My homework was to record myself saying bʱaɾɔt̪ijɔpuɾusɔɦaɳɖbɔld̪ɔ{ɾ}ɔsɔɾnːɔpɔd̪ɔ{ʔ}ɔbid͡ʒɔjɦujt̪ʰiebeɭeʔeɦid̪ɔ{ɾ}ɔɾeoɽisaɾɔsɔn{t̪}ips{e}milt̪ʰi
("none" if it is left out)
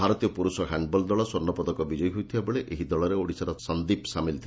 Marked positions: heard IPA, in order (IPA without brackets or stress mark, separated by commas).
ɭ, k, ɭ, d̪, a